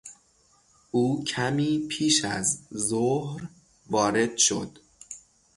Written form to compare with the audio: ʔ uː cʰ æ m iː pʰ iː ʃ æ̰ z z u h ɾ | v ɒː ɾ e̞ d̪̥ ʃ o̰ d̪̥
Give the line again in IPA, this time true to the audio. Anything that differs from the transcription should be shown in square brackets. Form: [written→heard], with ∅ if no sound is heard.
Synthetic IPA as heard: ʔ uː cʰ æ m iː pʰ iː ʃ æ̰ z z [u→o] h ɾ | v ɒː ɾ e̞ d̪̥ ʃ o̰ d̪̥